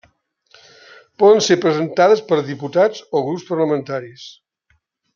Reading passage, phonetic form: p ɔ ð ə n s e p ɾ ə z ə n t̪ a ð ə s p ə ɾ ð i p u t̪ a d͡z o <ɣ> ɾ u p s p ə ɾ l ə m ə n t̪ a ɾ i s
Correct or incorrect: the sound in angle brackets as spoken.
correct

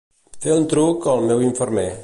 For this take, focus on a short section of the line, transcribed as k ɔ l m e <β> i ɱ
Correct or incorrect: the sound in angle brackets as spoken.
incorrect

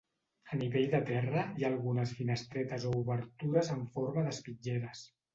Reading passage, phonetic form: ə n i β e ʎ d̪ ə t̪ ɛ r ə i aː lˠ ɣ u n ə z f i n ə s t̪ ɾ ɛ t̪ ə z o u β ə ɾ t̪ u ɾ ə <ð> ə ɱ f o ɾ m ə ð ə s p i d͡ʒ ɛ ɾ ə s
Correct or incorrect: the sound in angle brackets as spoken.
incorrect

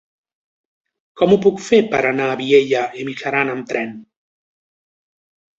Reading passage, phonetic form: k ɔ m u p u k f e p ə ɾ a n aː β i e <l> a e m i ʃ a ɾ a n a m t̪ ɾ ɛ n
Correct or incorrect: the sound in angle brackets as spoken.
incorrect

